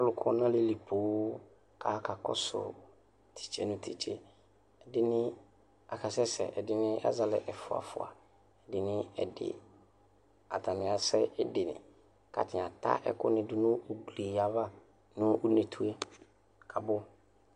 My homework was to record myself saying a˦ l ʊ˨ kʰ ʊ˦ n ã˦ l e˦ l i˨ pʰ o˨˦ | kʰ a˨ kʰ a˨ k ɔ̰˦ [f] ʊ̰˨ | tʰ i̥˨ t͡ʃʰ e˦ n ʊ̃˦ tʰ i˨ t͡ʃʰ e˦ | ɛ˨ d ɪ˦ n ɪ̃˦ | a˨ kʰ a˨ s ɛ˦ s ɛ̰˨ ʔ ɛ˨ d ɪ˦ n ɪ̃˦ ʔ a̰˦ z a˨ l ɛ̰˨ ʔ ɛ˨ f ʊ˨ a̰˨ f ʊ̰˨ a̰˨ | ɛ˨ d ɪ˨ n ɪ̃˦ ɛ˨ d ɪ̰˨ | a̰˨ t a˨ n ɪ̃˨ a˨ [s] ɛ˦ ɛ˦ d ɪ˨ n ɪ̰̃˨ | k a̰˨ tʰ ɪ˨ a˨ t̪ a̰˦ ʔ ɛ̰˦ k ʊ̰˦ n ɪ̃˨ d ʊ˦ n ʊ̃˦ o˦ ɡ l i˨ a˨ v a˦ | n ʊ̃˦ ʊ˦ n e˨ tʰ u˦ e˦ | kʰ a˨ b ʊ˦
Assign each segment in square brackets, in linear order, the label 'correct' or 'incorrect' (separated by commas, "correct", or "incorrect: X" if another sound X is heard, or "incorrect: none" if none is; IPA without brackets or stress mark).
incorrect: s, correct